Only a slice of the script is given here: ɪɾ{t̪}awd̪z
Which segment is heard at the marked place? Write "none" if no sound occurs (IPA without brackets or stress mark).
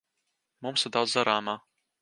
d̪